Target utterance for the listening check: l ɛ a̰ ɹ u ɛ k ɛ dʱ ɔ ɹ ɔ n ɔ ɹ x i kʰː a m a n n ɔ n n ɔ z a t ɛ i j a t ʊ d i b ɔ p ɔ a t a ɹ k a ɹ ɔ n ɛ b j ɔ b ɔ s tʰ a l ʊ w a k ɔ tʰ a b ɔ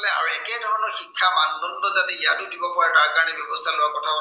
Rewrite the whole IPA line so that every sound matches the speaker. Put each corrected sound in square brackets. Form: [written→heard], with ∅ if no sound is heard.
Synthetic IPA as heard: l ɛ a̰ ɹ u ɛ k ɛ dʱ ɔ ɹ ɔ n ɔ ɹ x i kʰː a m a n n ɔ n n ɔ z a t ɛ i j a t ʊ d i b ɔ p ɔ a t a ɹ k a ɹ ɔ n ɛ b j ɔ b ɔ s tʰ a l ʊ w a k ɔ tʰ a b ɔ